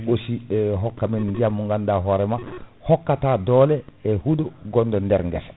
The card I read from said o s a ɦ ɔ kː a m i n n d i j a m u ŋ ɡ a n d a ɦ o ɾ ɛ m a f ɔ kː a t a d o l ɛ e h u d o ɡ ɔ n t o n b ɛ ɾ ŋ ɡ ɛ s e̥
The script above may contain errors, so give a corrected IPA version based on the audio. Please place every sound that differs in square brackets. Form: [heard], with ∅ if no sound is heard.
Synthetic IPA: o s [i] ɦ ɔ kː a m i n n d i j a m u ŋ ɡ a n d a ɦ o ɾ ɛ m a [h] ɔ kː a t a d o l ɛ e h u d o ɡ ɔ n [d] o n [d] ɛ ɾ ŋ ɡ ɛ s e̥